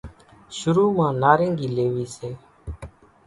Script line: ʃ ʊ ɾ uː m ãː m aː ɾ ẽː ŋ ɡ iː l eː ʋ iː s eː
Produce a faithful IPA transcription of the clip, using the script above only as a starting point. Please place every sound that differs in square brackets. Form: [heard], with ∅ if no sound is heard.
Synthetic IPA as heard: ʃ ʊ ɾ uː m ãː [n] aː ɾ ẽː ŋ ɡ iː l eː ʋ iː s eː